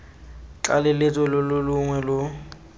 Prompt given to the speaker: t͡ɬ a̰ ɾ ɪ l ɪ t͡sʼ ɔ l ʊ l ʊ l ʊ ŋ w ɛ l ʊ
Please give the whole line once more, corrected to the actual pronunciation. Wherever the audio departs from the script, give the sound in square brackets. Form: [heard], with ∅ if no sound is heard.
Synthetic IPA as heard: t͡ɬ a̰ [l] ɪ l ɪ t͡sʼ ɔ l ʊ l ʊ l ʊ ŋ w ɛ l ʊ